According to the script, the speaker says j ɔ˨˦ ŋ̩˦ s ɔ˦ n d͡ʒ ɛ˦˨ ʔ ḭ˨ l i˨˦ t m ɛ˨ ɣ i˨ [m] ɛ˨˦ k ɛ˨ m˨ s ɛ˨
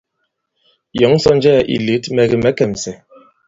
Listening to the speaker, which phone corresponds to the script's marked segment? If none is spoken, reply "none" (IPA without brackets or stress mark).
m